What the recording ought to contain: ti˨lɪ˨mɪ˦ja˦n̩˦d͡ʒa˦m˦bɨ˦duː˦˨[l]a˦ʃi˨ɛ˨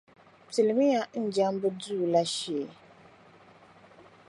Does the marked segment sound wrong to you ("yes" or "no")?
no